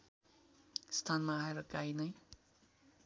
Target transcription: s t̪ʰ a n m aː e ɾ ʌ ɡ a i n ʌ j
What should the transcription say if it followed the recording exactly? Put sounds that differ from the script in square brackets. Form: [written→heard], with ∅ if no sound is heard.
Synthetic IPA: s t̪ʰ a n m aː e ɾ ʌ [ɡ→k] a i n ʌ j